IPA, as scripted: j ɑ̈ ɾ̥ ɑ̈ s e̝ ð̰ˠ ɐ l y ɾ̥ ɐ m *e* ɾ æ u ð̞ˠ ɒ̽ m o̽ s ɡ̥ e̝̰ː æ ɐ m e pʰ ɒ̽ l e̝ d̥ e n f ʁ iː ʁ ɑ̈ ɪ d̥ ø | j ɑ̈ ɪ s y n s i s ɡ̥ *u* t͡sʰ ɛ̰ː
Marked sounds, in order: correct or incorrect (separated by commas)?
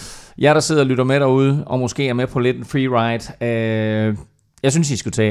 correct, correct